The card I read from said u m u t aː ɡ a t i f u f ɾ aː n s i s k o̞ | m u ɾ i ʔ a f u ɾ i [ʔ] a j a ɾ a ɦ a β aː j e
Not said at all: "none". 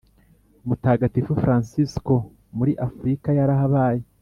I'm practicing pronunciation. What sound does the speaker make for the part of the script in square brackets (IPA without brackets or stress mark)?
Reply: k